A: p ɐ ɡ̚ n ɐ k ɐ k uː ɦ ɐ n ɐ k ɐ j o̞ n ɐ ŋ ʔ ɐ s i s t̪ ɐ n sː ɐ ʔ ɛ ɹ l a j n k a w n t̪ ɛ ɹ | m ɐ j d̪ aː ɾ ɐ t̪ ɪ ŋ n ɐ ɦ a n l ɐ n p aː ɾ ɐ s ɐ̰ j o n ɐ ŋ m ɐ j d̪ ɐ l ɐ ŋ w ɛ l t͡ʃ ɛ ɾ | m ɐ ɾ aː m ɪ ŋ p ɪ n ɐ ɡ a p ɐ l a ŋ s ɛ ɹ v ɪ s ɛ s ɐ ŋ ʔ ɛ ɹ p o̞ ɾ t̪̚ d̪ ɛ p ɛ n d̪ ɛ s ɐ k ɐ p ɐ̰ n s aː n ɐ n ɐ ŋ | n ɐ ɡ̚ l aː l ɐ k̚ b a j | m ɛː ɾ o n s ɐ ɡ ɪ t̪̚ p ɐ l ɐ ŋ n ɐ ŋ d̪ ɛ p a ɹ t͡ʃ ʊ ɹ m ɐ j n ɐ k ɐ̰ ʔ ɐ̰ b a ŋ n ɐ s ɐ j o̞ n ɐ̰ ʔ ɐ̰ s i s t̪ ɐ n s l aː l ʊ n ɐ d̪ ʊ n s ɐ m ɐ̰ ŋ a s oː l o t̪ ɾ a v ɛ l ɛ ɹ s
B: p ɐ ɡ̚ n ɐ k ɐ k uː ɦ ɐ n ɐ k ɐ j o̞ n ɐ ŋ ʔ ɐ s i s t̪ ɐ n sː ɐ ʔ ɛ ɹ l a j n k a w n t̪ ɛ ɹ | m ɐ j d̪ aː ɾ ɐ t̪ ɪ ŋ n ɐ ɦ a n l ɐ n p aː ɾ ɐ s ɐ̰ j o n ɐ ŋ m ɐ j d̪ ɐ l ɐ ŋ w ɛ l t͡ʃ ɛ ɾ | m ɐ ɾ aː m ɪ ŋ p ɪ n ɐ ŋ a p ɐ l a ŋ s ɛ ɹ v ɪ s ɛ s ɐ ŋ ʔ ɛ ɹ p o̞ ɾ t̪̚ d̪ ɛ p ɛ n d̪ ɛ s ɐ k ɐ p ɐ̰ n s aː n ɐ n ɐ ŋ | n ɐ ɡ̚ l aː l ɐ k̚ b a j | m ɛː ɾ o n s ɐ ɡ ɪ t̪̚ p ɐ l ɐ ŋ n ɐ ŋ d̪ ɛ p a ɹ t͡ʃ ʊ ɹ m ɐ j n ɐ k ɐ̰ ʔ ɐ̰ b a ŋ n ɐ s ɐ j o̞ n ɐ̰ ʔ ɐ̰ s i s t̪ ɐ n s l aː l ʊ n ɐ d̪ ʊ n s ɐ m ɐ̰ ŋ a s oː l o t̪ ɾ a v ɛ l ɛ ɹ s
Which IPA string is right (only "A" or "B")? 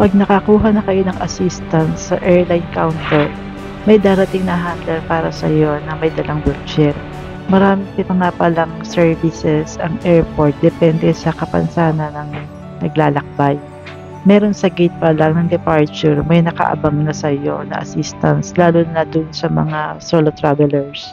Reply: B